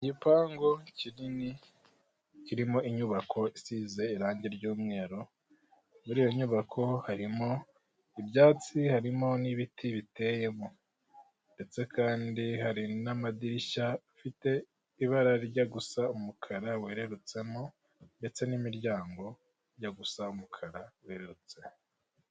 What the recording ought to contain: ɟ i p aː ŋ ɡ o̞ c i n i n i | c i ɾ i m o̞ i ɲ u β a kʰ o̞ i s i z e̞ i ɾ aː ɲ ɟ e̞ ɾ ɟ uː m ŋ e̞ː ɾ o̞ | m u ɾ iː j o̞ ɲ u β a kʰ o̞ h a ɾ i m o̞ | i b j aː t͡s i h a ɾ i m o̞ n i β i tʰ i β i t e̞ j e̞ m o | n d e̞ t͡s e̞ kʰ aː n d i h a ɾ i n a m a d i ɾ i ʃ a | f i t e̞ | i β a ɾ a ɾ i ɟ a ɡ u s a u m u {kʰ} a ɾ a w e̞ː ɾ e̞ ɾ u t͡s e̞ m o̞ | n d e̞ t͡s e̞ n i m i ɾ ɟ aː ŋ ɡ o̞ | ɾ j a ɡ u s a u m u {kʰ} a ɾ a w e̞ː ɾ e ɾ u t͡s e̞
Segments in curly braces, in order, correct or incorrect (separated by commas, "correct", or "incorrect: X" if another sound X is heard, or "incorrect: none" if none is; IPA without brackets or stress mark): correct, correct